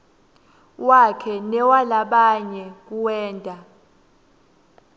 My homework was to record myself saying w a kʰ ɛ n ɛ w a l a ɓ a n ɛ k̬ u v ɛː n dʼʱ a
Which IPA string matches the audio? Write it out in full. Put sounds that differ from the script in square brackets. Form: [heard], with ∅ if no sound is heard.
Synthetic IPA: w a kʰ ɛ n ɛ w a l a ɓ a [ɲ] ɛ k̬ u [w] ɛː n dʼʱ a